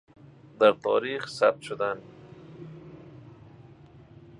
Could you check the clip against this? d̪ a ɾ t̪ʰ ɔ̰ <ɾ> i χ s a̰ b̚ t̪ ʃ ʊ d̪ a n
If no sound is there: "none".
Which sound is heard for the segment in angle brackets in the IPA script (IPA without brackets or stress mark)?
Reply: ɾ